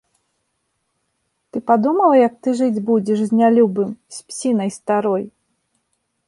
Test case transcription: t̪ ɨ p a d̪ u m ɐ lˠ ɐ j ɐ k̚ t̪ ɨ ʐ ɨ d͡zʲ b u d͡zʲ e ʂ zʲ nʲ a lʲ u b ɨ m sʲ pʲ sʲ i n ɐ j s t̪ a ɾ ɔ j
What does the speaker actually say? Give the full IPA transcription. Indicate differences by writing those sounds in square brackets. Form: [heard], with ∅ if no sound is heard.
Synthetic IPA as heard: t̪ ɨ p a d̪ u m ɐ lˠ ɐ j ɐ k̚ t̪ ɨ ʐ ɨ d͡zʲ b u d͡zʲ [ɛ] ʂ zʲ nʲ a lʲ u b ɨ m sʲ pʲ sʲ i n ɐ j s t̪ a ɾ ɔ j